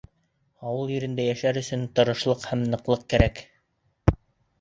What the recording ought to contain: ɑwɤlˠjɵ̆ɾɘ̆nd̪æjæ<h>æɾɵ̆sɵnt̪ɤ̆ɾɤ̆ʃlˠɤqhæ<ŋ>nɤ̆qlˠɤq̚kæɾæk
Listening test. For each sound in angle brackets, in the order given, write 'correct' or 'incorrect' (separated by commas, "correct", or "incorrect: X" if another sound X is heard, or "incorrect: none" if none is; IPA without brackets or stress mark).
incorrect: ʃ, incorrect: m